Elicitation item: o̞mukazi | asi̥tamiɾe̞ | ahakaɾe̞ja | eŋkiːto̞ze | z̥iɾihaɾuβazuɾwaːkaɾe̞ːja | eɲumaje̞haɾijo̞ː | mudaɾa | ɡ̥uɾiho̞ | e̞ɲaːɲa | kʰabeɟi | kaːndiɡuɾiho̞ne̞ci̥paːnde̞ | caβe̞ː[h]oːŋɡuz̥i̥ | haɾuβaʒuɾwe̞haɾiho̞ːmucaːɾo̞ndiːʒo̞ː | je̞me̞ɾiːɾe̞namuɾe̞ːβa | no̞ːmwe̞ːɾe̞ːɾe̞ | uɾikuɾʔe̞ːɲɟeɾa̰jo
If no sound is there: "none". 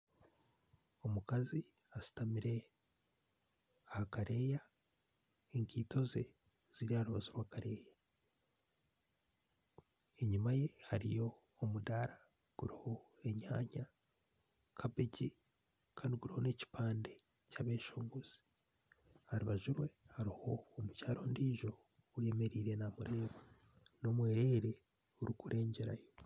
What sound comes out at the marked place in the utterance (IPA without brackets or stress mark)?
ʃ